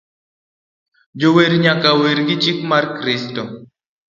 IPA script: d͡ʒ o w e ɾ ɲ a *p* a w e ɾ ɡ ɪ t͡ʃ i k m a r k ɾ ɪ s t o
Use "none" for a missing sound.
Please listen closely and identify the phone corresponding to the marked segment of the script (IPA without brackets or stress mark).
k